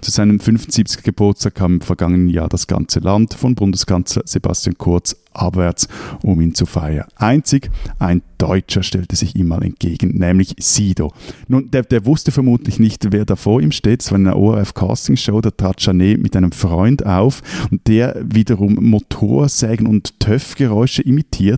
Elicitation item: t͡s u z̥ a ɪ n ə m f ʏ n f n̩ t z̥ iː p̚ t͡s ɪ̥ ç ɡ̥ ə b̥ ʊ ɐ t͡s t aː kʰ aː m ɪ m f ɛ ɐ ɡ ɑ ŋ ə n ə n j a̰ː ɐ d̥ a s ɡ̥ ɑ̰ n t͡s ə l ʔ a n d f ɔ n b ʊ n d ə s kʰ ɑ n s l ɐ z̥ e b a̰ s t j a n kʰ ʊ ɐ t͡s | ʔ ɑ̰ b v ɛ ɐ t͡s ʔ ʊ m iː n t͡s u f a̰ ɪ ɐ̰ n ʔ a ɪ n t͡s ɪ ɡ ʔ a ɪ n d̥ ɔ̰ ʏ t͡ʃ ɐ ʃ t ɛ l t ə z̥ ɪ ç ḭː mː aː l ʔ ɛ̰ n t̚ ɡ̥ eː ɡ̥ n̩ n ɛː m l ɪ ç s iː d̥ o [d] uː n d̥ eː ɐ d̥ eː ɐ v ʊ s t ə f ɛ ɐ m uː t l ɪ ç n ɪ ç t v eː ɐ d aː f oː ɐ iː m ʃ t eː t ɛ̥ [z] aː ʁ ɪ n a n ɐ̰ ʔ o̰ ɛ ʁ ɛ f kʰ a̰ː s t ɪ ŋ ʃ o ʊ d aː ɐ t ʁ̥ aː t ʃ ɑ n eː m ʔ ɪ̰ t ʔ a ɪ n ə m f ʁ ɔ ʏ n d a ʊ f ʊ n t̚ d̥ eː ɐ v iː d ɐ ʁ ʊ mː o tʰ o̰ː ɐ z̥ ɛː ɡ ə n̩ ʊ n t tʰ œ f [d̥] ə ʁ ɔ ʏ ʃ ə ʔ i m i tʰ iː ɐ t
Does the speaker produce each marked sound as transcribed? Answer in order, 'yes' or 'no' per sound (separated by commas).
no, no, no